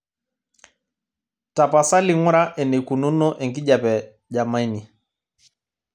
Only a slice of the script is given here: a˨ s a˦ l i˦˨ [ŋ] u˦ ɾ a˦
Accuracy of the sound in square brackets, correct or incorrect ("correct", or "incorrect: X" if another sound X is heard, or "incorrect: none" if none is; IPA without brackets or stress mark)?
correct